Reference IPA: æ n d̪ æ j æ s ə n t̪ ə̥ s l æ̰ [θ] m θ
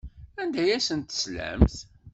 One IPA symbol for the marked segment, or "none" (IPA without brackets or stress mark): none